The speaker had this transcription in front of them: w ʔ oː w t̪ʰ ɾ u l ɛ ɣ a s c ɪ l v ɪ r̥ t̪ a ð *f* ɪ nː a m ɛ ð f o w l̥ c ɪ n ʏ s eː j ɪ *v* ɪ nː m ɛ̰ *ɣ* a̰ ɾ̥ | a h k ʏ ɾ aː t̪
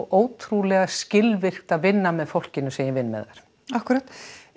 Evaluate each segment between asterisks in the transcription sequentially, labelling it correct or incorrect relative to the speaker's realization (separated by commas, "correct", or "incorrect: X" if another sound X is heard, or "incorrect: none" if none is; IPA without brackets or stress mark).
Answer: incorrect: v, correct, incorrect: ð